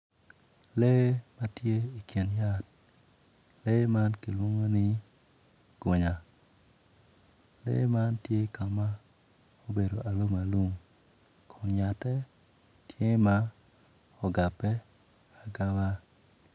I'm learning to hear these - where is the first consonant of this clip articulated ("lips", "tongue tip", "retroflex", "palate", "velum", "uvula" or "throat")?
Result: tongue tip